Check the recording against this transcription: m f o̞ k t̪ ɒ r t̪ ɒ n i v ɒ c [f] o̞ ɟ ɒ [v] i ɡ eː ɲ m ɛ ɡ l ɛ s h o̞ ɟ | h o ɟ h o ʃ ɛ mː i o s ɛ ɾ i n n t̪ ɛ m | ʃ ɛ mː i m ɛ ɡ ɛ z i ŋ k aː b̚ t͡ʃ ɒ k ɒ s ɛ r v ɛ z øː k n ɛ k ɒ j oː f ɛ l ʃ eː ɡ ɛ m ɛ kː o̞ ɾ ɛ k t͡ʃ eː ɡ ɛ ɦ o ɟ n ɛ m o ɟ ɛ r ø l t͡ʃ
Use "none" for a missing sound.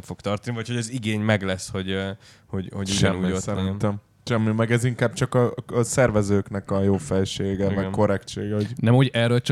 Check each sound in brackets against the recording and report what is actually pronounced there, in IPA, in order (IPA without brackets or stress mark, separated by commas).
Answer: h, z